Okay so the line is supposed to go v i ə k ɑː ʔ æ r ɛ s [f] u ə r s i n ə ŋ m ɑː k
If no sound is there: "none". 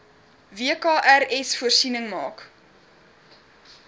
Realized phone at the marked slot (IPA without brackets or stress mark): f